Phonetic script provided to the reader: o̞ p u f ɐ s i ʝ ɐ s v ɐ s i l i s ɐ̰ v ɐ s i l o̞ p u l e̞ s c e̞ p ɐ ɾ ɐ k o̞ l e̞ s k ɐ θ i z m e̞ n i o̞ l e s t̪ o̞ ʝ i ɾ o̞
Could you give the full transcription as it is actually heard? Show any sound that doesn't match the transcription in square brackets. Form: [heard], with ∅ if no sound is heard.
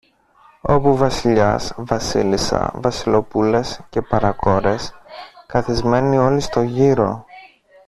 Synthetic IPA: o̞ p u [v] ɐ s i [ʎ] ɐ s v ɐ s i l i s ɐ̰ v ɐ s i l o̞ p u l e̞ s c e̞ p ɐ ɾ ɐ k o̞ [ɾ] e̞ s k ɐ θ i z m e̞ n i o̞ l [i] s t̪ o̞ ʝ i ɾ o̞